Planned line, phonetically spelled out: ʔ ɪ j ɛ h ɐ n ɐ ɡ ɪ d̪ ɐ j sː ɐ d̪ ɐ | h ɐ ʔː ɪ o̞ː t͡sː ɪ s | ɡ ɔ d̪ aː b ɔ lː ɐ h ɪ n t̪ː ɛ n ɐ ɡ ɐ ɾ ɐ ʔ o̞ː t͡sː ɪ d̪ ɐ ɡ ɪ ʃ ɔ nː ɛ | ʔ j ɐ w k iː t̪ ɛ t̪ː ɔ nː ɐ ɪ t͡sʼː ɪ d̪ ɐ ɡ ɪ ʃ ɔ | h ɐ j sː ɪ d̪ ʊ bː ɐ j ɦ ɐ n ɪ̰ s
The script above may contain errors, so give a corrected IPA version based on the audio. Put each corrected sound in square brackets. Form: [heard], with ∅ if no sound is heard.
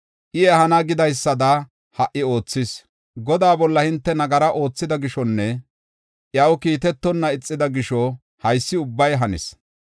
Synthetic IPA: ʔ ɪ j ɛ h ɐ n ɐ ɡ ɪ d̪ ɐ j sː ɐ d̪ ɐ | h ɐ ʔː ɪ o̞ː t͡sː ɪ s | ɡ ɔ d̪ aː b ɔ lː ɐ h ɪ n t̪ː ɛ n ɐ ɡ ɐ ɾ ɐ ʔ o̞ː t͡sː ɪ d̪ ɐ ɡ ɪ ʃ ɔ nː ɛ | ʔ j ɐ w k iː t̪ ɛ t̪ː ɔ nː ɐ ɪ t͡sʼː ɪ d̪ ɐ ɡ ɪ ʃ ɔ | h ɐ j sː ɪ [∅] ʊ bː ɐ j ɦ ɐ n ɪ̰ s